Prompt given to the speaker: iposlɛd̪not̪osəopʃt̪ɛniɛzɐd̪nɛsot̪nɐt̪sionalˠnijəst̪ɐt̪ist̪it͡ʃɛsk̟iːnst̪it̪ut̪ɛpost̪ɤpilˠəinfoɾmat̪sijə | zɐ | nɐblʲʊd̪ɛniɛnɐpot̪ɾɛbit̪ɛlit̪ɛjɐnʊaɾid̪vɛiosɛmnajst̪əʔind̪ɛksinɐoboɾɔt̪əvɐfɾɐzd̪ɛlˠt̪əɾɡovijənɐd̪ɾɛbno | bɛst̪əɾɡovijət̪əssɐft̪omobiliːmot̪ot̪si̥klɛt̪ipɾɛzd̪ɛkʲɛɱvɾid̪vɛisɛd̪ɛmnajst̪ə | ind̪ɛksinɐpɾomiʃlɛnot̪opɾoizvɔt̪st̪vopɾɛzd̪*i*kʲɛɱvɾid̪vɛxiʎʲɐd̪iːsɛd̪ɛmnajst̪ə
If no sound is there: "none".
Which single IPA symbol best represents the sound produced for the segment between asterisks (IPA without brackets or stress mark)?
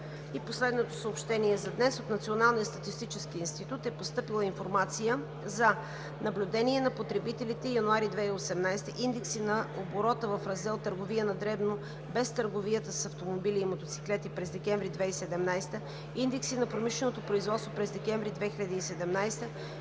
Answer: ɛ